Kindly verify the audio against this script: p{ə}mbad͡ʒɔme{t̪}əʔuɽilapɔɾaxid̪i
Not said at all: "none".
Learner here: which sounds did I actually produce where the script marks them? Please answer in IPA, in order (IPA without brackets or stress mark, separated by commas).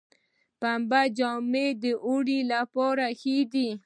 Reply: a, d̪